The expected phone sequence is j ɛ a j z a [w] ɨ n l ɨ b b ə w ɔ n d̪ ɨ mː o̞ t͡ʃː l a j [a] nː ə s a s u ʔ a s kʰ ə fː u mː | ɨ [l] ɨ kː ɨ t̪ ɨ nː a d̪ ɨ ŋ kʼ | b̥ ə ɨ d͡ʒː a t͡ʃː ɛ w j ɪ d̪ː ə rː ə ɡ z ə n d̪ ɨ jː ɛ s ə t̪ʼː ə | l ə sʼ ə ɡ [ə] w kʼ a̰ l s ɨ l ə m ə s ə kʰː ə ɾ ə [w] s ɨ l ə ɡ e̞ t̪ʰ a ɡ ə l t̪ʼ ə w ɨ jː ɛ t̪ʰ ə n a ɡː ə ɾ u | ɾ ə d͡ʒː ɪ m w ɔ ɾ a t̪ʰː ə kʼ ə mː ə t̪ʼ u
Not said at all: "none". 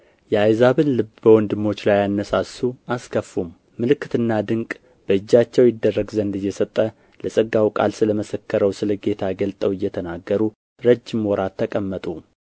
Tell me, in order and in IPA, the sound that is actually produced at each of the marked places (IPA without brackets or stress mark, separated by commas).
β, a, l, a, w